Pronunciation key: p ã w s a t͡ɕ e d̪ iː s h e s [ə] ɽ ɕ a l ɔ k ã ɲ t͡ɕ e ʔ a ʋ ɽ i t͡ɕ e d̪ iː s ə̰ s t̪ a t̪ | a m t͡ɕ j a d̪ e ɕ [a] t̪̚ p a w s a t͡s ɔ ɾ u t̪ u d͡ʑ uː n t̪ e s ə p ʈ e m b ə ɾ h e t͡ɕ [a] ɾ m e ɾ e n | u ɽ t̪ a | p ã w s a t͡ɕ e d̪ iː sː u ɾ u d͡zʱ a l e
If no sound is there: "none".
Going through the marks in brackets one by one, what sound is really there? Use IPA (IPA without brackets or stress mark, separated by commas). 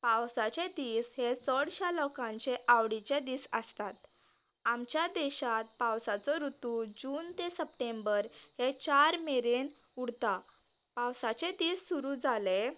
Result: ə, a, a